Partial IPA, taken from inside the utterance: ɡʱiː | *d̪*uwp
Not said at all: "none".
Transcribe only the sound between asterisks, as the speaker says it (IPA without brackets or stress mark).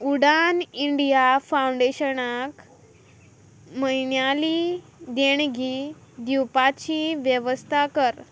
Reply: d̪